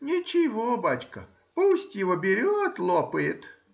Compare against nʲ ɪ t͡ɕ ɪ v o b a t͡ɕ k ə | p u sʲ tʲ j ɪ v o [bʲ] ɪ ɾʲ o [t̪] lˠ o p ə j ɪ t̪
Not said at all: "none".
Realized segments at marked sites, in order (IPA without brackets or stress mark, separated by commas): bʲ, t̪